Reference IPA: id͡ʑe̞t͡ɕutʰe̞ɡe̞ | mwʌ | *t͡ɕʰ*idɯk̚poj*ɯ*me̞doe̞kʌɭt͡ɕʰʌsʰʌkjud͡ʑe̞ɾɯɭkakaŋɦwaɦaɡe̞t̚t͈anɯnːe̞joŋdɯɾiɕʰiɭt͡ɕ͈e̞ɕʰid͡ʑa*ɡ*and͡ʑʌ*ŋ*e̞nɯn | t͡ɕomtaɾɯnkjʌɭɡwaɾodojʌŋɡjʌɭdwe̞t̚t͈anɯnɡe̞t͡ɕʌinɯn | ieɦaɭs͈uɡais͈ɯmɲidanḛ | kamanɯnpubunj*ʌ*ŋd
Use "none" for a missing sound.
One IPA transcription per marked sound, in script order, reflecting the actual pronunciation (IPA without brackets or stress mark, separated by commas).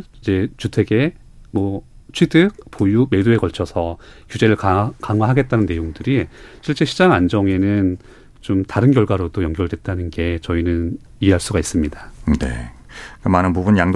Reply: t͡ɕʰ, u, ŋ, ŋ, a